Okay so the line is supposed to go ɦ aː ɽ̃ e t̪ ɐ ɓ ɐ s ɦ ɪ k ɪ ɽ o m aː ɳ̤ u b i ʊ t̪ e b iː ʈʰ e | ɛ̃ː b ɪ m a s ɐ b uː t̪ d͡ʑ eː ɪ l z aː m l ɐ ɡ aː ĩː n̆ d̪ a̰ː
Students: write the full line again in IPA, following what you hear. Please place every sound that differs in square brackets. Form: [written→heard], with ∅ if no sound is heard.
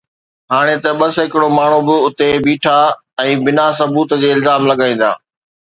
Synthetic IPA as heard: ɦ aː ɽ̃ e t̪ ɐ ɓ ɐ s ɦ ɪ k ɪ ɽ o m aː ɳ̤ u b [i→ɪ] ʊ t̪ e b iː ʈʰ [e→a] | ɛ̃ː b ɪ [m→n] a s ɐ b uː t̪ d͡ʑ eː ɪ l z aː m l ɐ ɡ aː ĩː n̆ d̪ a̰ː

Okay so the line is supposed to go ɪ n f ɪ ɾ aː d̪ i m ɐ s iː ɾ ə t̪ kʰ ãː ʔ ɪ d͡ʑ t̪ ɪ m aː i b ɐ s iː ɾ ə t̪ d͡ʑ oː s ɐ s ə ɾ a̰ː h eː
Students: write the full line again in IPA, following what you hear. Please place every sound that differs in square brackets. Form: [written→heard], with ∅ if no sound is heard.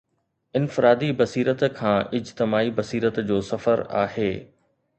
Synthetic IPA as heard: ɪ n f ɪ ɾ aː d̪ i [m→b] ɐ s iː ɾ ə t̪ kʰ ãː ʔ ɪ d͡ʑ t̪ ɪ m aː i b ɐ s iː ɾ ə t̪ d͡ʑ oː s ɐ [s→f] ə ɾ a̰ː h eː

